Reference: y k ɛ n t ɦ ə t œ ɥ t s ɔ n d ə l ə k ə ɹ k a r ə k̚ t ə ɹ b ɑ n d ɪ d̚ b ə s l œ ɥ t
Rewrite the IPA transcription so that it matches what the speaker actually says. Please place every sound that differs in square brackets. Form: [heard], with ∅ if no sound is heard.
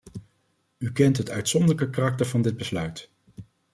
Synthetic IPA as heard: y k ɛ n t ɦ ə t œ ɥ t s ɔ n d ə l ə k ə [∅] k a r [ɑ] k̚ t ə ɹ [v] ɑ n d ɪ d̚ b ə s l œ ɥ t